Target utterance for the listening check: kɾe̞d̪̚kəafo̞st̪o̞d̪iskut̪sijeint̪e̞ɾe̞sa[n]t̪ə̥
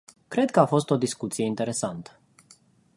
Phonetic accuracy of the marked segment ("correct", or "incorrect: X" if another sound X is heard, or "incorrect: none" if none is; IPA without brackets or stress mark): correct